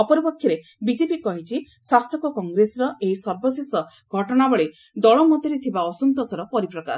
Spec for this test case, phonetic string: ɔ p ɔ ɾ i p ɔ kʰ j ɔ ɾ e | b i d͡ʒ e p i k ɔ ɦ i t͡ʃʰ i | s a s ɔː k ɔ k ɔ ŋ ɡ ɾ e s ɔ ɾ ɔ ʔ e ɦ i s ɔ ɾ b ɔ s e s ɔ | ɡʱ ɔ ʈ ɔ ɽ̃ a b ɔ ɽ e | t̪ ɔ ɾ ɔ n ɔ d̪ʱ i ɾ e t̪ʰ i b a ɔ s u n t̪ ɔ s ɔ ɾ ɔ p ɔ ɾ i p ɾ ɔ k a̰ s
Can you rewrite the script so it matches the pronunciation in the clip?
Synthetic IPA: ɔ p ɔ ɾ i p ɔ kʰ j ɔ ɾ e | b i d͡ʒ e p i k ɔ ɦ i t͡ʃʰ i | s a s ɔ k ɔ k ɔ ŋ ɡ ɾ e s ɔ ɾ ɔ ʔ e ɦ i s ɔ ɾ b ɔ s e s ɔ | ɡʱ ɔ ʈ ɔ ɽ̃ a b ɔ ɭ e | d̪ ɔ ɭ ɔ m ɔ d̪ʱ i ɾ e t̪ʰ i b a ɔ s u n t̪ ɔ s ɔ ɾ ɔ p ɔ ɾ i p ɾ ɔ k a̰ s

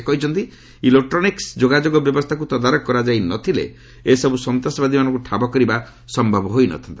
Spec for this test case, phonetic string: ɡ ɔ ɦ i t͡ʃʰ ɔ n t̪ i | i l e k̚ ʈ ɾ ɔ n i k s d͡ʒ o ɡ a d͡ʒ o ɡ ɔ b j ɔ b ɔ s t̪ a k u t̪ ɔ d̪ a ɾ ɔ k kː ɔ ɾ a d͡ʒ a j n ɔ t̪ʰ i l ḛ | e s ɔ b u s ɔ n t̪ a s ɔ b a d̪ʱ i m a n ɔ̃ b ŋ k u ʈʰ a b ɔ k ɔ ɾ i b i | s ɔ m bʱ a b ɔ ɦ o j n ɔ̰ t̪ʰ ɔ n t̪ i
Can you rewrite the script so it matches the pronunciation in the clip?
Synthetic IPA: k ɔ ɦ i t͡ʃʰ ɔ n t̪ i | i l e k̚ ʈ ɾ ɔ n i k s d͡ʒ o ɡ a d͡ʒ o ɡ ɔ b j ɔ b ɔ s t̪ʰ a k u t̪ ɔ d̪ a ɾ ɔ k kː ɔ ɾ a d͡ʒ a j n ɔ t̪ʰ i l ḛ | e s ɔ b u s ɔ n t̪ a s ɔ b a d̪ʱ i m a n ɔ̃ ŋ k u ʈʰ a b ɔ k ɔ ɾ i b a | s ɔ m bʱ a b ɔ ɦ o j n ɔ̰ t̪ʰ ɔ n t̪ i

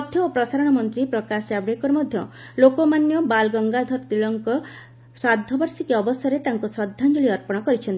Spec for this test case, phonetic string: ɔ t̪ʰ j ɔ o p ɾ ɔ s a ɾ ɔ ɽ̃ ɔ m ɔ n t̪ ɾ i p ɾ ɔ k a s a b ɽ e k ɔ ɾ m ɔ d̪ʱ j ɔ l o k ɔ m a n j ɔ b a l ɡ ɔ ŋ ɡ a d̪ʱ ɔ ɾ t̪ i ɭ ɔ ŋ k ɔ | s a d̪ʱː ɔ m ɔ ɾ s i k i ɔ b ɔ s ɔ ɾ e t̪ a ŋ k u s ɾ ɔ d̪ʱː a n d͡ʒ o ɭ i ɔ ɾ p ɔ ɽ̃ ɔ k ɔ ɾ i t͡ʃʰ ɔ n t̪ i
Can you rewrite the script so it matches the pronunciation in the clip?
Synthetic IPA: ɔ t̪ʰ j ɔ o p ɾ ɔ s a ɾ ɔ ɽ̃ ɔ m ɔ n t̪ ɾ i p ɾ ɔ k a s a b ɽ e k ɔ ɾ m ɔ d̪ʱ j ɔ l o k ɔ m a n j ɔ b a l ɡ ɔ ŋ ɡ a d̪ʱ ɔ ɾ t̪ i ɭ ɔ ŋ k ɔ | s a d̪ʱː ɔ b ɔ ɾ s i k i ɔ b ɔ s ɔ ɾ e t̪ a ŋ k u s ɾ ɔ d̪ʱː a n d͡ʒ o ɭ i ɔ ɾ p ɔ ɽ̃ ɔ k ɔ ɾ i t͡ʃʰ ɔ n t̪ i

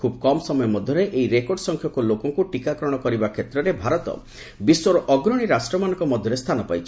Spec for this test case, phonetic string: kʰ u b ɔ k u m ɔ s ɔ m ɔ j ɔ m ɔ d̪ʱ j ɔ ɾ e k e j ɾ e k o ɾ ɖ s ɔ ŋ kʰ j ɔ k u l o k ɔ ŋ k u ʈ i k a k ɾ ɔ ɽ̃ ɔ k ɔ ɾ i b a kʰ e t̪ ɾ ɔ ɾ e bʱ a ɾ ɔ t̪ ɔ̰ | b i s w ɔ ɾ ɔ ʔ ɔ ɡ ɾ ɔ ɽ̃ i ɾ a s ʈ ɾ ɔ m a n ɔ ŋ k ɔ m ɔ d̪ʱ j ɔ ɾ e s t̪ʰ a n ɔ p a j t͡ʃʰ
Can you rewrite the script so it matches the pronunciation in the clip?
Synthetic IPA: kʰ u b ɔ k ɔ m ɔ s ɔ m ɔ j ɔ m ɔ d̪ʱ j ɔ ɾ e ʔ e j ɾ e k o ɾ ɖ s ɔ ŋ kʰ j ɔ k u l o k ɔ ŋ k u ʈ i k a k ɾ ɔ ɽ̃ ɔ k ɔ ɾ i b a kʰ e t̪ ɾ ɔ ɾ e bʱ a ɾ ɔ t̪ ɔ̰ | b i s w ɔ ɾ ɔ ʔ ɔ ɡ ɾ ɔ ɽ̃ i ɾ a s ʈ ɾ ɔ m a n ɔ ŋ k ɔ m ɔ d̪ʱ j ɔ ɾ e s t̪ʰ a n ɔ p a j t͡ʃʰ

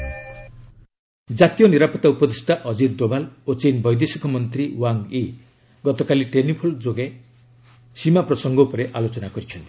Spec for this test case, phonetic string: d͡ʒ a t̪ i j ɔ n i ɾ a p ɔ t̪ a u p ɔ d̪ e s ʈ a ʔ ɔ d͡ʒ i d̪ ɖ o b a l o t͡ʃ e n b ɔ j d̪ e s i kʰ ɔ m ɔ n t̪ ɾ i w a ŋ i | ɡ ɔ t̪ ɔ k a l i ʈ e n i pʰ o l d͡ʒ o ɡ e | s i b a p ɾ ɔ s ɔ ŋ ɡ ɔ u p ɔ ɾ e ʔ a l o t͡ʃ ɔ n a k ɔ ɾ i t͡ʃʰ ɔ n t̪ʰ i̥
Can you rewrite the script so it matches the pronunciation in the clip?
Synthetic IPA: d͡ʒ a t̪ i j ɔ n i ɾ a p ɔ t̪ a u p ɔ d̪ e s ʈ a ʔ ɔ d͡ʒ i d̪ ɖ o b a l o t͡ʃ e n b ɔ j d̪ e s i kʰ ɔ m ɔ n t̪ ɾ i w a ŋ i | ɡ ɔ t̪ ɔ k a l i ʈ e n i pʰ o l d͡ʒ o ɡ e | s i m a p ɾ ɔ s ɔ ŋ ɡ ɔ u p ɔ ɾ e ʔ a l o t͡ʃ ɔ n a k ɔ ɾ i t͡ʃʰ ɔ n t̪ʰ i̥

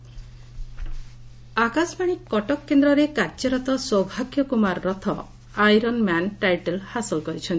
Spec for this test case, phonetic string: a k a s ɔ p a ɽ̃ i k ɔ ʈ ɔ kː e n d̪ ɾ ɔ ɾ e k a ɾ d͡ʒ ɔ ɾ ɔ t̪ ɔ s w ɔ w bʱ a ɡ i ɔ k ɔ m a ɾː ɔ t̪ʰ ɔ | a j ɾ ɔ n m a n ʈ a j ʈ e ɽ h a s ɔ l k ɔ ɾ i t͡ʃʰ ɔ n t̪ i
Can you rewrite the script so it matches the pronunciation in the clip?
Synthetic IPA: a k a s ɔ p a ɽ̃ i k ɔ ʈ ɔ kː e n d̪ ɾ ɔ ɾ e k a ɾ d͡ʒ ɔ ɾ ɔ t̪ ɔ s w ɔ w bʱ a ɡ j ɔ k u m a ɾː ɔ t̪ʰ ɔ | a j ɾ ɔ n m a n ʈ a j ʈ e l h a s ɔ l k ɔ ɾ i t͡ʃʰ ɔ n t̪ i

